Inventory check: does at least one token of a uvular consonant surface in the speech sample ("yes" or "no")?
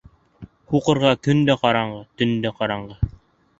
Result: yes